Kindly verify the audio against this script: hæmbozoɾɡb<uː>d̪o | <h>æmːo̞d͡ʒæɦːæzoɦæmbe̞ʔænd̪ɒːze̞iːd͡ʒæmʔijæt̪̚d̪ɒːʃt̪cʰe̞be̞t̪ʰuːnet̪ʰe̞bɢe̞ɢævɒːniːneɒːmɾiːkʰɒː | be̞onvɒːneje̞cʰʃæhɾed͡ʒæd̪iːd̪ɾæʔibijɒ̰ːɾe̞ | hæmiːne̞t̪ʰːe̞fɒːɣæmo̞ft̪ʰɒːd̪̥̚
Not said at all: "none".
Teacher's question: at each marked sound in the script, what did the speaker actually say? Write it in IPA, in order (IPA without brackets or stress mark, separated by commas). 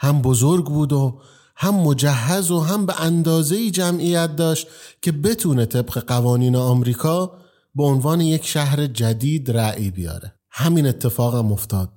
uː, h